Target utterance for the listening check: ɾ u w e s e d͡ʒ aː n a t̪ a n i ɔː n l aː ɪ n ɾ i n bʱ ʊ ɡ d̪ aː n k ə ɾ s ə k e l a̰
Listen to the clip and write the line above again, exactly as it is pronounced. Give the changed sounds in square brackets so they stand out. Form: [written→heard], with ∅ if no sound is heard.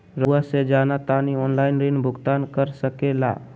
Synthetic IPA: ɾ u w [e→a] s e d͡ʒ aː n a t̪ a n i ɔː n l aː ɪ n ɾ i n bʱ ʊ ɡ [d̪→t̪] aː n k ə ɾ s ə k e l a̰